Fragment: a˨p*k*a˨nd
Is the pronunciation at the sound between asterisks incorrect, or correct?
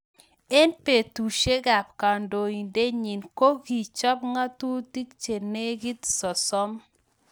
correct